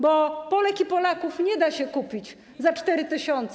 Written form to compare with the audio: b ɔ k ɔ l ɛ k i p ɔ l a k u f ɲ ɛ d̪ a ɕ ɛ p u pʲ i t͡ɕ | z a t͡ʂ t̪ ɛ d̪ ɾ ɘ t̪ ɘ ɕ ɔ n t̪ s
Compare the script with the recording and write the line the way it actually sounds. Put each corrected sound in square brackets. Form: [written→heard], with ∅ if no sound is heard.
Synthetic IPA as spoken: b ɔ [k→p] ɔ l ɛ k i p ɔ l a k u f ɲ ɛ d̪ a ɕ ɛ [p→k] u pʲ i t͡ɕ | z a t͡ʂ t̪ ɛ [d̪→∅] ɾ ɘ t̪ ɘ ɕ ɔ n t̪ s